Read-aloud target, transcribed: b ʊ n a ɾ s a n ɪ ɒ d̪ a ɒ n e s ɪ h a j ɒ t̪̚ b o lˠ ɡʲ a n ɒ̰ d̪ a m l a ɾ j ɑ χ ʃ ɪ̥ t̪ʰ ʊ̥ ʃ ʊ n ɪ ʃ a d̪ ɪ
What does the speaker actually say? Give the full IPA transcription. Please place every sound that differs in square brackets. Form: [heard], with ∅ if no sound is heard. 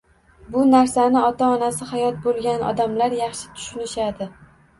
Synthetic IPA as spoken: b ʊ n a ɾ s a n ɪ ɒ [t̪] a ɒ n [a] s ɪ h a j ɒ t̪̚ b o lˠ ɡʲ a n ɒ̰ d̪ a m l a ɾ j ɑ χ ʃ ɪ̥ t̪ʰ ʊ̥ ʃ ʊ n ɪ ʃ a d̪ ɪ